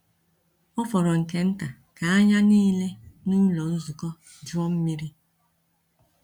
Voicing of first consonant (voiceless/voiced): voiceless